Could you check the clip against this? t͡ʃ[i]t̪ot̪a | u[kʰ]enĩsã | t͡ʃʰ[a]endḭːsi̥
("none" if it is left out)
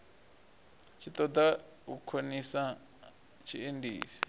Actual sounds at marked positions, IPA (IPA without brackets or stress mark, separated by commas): i, kʰ, i